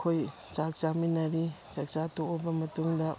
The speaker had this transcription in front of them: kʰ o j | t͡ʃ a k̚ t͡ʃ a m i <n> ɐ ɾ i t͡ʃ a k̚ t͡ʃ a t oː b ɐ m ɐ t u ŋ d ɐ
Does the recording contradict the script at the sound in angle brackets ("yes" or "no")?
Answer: no